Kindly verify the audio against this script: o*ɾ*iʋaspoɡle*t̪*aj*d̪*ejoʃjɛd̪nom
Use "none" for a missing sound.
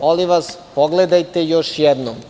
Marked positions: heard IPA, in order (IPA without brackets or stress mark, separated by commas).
l, d̪, t̪